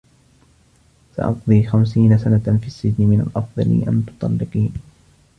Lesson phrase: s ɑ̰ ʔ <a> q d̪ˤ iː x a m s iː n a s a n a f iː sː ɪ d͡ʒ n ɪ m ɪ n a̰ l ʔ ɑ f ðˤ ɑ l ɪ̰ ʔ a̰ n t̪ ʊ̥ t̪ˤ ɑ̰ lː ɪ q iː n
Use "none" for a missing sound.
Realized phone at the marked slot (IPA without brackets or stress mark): ɑ